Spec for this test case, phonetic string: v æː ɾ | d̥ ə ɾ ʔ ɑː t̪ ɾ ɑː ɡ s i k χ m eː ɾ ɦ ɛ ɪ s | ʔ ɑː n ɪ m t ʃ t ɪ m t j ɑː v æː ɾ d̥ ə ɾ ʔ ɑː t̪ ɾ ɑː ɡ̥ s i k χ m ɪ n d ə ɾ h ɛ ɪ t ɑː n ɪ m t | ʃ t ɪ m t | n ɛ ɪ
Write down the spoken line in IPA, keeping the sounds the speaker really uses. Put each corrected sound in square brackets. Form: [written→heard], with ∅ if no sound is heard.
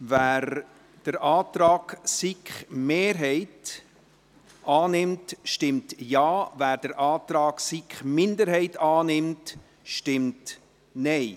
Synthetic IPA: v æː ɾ | d̥ ə ɾ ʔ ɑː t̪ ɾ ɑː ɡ s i k χ m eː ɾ ɦ ɛ ɪ [s→t] | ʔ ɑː n ɪ m t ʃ t ɪ m t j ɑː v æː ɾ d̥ ə ɾ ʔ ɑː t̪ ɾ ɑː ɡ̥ s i k χ m ɪ n d ə ɾ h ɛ ɪ t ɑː n ɪ m t | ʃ t ɪ m t | n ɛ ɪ